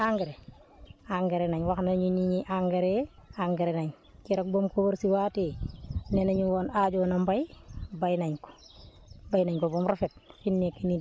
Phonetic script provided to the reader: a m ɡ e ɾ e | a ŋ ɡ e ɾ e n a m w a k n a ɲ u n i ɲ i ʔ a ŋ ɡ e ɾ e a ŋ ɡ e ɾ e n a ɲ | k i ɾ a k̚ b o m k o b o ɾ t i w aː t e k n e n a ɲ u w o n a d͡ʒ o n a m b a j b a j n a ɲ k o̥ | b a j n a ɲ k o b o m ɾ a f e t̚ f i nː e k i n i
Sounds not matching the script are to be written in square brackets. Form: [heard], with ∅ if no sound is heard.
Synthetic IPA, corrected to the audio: a [ŋ] ɡ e ɾ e | a ŋ ɡ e ɾ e n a [ɲ] w a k n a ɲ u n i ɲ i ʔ a ŋ ɡ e ɾ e a ŋ ɡ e ɾ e n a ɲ | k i ɾ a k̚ b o m k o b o ɾ [s] i w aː t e [∅] n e n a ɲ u w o n a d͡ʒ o n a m b a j b a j n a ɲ k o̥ | b a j n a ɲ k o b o m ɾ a f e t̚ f i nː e k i n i